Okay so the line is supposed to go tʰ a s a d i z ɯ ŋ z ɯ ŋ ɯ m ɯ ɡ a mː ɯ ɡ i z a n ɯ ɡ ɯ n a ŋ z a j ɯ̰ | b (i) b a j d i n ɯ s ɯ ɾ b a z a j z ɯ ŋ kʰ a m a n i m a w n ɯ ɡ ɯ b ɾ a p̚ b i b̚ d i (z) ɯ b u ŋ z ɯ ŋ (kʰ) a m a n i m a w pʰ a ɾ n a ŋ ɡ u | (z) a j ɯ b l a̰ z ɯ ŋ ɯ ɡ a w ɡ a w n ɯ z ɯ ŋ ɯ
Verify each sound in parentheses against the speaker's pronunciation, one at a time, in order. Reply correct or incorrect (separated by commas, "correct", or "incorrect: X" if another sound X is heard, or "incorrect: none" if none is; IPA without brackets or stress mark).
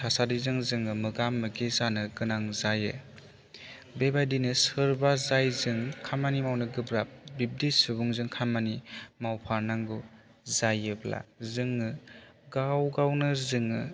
incorrect: e, incorrect: s, correct, correct